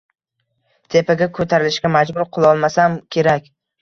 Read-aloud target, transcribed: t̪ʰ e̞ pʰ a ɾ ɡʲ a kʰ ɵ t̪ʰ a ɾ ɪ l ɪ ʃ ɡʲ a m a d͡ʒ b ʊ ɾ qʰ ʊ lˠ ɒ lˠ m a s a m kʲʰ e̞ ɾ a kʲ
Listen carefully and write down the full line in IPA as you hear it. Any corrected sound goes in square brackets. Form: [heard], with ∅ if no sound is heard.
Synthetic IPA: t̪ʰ e̞ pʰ a [∅] ɡʲ a kʰ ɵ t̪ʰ a ɾ ɪ l ɪ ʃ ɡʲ a m a d͡ʒ b ʊ ɾ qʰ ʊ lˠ ɒ lˠ m a s a m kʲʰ e̞ ɾ a kʲ